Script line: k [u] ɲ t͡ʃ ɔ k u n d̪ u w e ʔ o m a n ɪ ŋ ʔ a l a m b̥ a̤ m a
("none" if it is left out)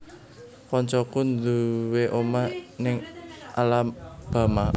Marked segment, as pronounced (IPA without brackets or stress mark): ɔ